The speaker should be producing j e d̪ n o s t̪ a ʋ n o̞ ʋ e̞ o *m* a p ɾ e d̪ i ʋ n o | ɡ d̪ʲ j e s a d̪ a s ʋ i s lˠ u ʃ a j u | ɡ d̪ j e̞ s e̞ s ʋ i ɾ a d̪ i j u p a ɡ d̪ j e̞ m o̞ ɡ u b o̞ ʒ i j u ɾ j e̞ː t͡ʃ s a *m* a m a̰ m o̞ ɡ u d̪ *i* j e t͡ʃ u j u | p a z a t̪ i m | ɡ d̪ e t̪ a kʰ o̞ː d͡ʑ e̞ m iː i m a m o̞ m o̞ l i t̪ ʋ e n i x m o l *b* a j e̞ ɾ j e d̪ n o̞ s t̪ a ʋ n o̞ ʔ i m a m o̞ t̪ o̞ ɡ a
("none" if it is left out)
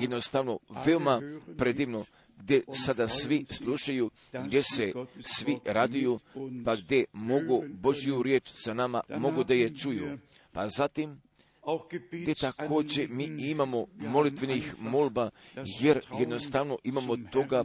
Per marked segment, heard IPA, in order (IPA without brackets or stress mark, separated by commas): m, n, a, b